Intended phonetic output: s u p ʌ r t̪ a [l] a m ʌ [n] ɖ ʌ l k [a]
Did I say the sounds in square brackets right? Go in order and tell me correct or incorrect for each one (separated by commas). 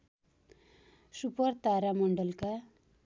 incorrect, incorrect, correct